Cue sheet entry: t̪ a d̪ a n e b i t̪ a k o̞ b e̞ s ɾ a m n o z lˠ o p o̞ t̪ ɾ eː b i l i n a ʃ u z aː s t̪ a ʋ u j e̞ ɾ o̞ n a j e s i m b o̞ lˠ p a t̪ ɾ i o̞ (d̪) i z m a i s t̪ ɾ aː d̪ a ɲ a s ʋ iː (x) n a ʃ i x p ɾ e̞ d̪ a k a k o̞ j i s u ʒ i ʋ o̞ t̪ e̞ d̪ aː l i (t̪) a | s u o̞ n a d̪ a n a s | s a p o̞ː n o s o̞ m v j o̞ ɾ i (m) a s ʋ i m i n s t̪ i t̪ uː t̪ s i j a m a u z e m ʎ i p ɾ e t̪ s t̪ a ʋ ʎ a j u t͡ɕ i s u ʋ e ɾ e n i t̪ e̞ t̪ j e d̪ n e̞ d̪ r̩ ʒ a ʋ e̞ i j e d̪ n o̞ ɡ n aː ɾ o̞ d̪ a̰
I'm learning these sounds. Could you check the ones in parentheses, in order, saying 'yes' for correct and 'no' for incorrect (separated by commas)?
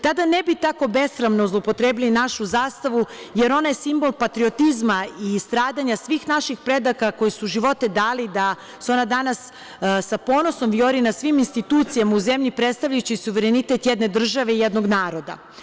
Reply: no, yes, no, no